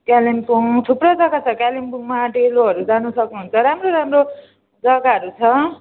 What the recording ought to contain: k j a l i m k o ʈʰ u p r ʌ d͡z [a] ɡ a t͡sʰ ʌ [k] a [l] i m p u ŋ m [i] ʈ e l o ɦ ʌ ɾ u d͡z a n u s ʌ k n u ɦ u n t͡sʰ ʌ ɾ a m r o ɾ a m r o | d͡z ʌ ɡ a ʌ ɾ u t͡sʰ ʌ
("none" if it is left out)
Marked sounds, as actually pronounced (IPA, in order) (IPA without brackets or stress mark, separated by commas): ʌ, k, l, a